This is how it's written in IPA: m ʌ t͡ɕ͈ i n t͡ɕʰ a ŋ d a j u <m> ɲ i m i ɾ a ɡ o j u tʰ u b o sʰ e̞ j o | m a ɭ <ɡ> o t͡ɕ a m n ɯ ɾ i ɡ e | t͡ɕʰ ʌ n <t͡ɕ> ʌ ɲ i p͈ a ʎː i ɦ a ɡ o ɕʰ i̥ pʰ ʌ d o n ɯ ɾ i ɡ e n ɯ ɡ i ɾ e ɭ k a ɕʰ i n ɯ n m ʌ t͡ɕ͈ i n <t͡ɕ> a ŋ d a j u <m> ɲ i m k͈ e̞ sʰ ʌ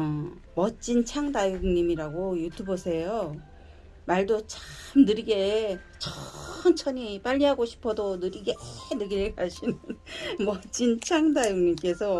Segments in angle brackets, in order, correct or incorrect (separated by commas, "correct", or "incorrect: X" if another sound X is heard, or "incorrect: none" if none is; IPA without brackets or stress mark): incorrect: ŋ, incorrect: d, incorrect: t͡ɕʰ, incorrect: t͡ɕʰ, incorrect: ŋ